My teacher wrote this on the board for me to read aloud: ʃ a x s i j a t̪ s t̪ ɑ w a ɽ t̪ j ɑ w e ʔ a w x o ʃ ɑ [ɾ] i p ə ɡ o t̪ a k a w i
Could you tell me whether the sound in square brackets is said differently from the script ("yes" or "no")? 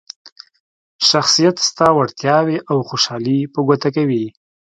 yes